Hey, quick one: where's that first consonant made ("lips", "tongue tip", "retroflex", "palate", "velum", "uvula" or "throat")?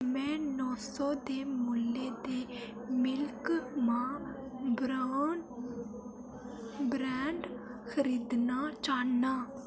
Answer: lips